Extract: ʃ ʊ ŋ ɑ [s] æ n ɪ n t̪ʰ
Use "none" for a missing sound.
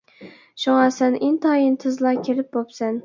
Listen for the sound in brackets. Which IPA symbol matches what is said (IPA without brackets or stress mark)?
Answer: s